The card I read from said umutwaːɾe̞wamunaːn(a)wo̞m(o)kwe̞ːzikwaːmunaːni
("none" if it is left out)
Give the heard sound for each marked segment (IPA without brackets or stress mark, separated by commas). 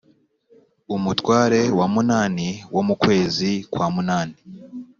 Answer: i, u